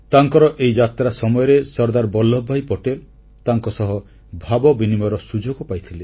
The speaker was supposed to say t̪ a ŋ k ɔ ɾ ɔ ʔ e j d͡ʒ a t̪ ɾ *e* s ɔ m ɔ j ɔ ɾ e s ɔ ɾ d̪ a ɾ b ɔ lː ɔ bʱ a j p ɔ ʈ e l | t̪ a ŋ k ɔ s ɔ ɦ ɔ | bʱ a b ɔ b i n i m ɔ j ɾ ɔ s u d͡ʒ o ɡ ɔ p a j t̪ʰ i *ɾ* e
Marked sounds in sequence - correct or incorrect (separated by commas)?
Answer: incorrect, incorrect